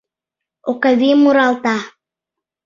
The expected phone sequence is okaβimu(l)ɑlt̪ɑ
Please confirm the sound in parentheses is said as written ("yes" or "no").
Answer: no